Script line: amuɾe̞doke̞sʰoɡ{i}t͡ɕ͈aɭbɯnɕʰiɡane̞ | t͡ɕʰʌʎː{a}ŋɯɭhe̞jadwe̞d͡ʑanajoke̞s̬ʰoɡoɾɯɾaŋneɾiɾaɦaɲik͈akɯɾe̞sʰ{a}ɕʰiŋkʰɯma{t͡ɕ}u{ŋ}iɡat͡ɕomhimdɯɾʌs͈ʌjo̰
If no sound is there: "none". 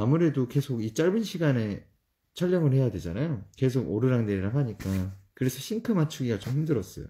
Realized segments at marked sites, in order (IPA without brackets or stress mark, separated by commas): i, ʌ, ʌ, t͡ɕʰ, ɡ